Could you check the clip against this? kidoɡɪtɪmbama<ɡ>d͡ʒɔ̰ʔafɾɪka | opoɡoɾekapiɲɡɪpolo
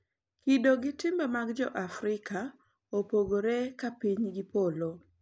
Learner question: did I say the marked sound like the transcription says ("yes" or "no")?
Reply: yes